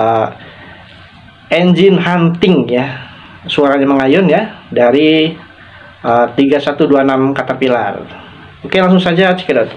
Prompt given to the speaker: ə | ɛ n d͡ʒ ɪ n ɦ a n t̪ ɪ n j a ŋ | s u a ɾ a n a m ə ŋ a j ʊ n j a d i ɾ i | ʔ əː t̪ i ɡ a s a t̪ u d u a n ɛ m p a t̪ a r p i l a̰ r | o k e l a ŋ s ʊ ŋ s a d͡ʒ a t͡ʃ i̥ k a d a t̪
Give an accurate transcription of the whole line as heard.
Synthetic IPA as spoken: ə | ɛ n d͡ʒ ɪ n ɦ a n t̪ ɪ ŋ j a | s u a ɾ a ɲ a m ə ŋ a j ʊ n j a d a ɾ i | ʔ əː t̪ i ɡ a s a t̪ u d u a n a m k a t̪ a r p i l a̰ r | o k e l a ŋ s ʊ ŋ s a d͡ʒ a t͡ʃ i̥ k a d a t̪